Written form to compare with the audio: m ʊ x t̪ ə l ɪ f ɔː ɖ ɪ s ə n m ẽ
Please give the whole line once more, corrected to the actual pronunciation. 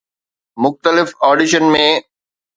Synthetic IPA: m ʊ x t̪ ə l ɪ f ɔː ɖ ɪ ʃ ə n m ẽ